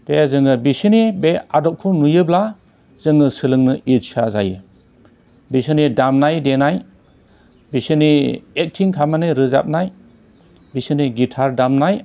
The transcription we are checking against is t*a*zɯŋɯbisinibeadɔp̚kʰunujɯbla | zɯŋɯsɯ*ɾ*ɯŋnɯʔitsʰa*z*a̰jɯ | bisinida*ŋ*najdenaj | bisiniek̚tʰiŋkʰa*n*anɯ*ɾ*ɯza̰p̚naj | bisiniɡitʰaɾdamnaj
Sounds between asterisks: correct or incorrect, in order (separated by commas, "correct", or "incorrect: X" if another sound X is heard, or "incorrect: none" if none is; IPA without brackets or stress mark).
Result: incorrect: e, incorrect: l, correct, incorrect: m, incorrect: m, correct